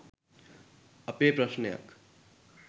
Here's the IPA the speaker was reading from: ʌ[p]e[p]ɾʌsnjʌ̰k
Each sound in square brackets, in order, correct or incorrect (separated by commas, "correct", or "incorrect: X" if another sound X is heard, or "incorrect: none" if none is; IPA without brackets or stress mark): correct, correct